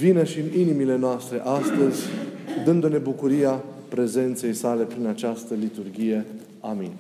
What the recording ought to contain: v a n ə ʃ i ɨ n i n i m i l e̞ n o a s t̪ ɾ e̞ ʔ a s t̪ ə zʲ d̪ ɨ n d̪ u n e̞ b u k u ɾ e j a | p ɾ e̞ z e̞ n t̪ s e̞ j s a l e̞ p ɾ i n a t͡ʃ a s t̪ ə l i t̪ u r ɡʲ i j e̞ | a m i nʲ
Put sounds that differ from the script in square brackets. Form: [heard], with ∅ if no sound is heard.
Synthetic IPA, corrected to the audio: v [i] n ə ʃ i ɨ n i n i m i l e̞ n o a s t̪ ɾ e̞ ʔ a s t̪ ə zʲ d̪ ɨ n d̪ u n e̞ b u k u ɾ [i] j a | p ɾ e̞ z e̞ n t̪ s e̞ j s a l e̞ p ɾ i n a t͡ʃ a s t̪ ə l i t̪ u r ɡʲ i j e̞ | a m i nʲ